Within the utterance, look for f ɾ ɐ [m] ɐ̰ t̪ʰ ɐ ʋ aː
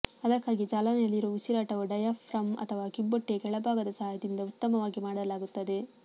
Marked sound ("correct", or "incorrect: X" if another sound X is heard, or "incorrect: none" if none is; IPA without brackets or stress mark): correct